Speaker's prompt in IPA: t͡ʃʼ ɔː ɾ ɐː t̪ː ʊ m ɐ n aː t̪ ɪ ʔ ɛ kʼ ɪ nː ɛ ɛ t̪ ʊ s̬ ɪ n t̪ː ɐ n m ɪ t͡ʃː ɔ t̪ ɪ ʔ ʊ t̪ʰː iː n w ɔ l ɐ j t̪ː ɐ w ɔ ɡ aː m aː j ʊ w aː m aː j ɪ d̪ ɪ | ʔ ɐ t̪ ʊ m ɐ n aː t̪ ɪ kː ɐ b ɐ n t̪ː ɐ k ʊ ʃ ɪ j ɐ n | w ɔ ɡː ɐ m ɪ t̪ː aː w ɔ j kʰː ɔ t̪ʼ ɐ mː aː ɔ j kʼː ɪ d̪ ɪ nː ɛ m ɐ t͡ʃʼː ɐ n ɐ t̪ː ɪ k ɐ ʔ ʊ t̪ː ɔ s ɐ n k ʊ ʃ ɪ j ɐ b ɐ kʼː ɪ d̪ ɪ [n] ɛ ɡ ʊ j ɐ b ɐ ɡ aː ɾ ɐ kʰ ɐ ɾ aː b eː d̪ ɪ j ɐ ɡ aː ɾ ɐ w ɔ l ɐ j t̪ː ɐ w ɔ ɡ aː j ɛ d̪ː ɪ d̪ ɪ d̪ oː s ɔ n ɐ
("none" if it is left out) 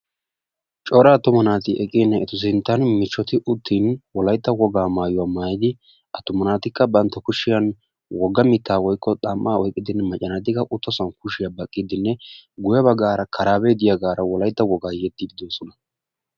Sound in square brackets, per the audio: nː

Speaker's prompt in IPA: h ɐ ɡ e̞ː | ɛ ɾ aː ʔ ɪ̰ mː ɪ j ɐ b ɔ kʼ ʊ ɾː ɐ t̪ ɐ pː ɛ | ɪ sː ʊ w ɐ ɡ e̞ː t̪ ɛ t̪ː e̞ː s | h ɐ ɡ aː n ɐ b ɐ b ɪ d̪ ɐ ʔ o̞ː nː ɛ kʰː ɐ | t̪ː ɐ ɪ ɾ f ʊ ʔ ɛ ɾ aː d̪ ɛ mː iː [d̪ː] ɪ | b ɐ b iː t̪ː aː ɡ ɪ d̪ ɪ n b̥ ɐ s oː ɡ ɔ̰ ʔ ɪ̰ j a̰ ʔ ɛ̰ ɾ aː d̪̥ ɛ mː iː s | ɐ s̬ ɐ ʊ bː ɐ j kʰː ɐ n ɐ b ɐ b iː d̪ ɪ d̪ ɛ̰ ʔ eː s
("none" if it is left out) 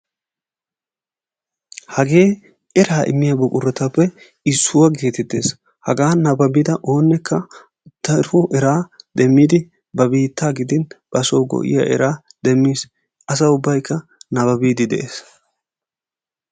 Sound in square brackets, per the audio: d̪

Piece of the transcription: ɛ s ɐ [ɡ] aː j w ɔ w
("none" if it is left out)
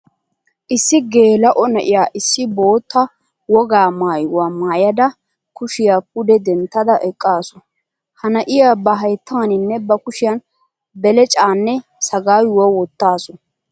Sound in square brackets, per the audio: ɡ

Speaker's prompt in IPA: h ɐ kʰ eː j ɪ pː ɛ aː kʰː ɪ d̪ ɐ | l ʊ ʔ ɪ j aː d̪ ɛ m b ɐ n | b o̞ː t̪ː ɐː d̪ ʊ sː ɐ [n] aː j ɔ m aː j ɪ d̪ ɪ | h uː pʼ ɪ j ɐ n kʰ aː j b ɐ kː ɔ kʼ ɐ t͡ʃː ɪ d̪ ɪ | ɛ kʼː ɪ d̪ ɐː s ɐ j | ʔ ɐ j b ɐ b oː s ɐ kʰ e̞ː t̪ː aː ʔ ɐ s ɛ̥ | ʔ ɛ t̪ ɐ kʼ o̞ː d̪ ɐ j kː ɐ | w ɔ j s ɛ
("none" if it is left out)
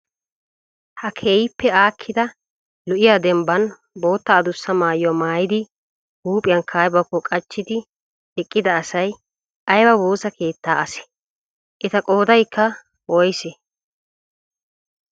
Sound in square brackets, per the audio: m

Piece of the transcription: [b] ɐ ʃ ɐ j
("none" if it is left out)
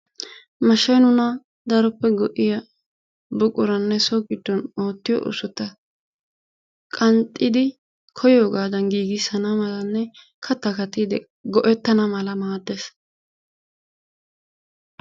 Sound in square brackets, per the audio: m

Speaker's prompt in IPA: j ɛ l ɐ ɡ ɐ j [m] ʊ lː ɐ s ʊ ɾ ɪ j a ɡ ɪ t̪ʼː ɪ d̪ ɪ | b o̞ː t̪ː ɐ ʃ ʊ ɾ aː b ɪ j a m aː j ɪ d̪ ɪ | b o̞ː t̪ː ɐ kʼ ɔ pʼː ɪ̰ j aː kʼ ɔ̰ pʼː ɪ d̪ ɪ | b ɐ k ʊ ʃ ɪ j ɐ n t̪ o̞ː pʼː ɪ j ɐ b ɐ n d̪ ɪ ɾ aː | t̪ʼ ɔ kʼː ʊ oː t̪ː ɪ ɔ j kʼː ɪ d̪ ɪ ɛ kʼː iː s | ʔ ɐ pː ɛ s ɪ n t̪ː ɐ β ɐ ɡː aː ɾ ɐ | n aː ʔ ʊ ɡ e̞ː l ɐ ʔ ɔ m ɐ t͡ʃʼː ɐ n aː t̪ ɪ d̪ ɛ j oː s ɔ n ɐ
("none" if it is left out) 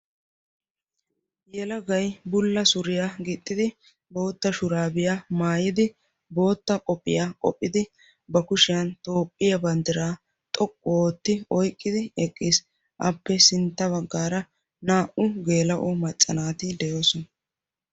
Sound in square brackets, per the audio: b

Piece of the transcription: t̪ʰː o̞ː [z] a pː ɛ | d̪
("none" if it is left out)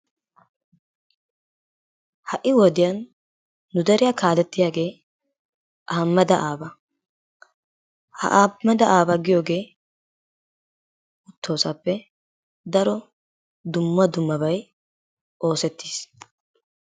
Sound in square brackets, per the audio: s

